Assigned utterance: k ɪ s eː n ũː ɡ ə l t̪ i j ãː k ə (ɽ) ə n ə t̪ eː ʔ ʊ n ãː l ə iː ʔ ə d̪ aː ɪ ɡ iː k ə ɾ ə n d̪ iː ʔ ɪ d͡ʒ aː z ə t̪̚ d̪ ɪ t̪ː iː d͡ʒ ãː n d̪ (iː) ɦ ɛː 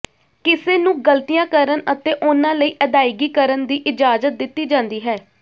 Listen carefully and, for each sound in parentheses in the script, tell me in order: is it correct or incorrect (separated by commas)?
incorrect, correct